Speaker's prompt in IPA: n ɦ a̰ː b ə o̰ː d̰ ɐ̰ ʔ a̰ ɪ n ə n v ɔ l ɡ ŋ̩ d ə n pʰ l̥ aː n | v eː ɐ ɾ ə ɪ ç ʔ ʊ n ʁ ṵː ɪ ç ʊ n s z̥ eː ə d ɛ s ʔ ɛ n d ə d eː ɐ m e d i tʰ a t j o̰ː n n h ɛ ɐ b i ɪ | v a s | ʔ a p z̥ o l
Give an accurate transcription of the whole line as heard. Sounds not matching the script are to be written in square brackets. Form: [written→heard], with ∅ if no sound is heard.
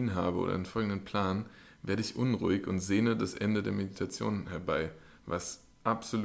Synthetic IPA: n ɦ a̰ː b ə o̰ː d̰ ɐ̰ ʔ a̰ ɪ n ə n [v→f] ɔ l ɡ ŋ̩ d ə n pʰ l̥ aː n | v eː ɐ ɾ ə ɪ ç ʔ ʊ n ʁ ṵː ɪ ç ʊ n [s→t] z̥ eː ə d [ɛ→a] s ʔ ɛ n d ə d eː ɐ m e d i tʰ a [t→t͡s] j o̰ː n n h ɛ ɐ b [i→a] ɪ | v a s | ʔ a p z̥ o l